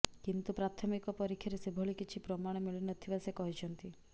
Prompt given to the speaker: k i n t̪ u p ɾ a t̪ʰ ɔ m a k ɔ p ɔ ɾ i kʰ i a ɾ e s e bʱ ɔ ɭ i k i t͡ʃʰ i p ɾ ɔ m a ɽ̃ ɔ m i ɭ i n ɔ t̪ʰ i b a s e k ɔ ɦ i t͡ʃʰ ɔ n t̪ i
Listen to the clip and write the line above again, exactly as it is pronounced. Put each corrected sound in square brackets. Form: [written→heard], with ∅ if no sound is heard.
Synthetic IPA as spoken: k i n t̪ u p ɾ a t̪ʰ ɔ m [a→i] k ɔ p ɔ ɾ i kʰ [i→j] a ɾ e s e bʱ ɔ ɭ i k i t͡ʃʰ i p ɾ ɔ m a ɽ̃ ɔ m i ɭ i n ɔ t̪ʰ i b a s e k ɔ ɦ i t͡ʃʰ ɔ n t̪ i